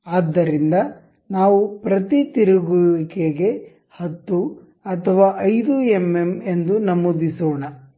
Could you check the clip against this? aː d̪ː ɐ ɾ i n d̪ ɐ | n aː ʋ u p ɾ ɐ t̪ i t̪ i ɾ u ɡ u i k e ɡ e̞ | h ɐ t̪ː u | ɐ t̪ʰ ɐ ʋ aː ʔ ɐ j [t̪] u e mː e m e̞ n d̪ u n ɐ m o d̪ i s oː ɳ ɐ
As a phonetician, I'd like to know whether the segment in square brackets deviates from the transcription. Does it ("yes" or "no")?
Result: yes